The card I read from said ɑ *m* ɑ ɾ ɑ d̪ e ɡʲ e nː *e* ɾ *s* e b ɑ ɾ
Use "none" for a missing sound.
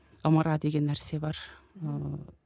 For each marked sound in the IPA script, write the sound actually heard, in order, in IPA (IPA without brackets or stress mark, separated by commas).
m, æ, s